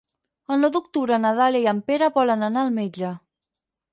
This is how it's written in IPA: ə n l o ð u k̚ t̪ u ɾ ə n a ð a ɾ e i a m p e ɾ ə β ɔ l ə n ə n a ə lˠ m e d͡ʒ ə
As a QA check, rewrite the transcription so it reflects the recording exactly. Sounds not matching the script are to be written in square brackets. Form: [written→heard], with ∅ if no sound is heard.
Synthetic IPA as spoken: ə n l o ð u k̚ t̪ u ɾ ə n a ð a [ɾ→l] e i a m p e ɾ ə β ɔ l ə n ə n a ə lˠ m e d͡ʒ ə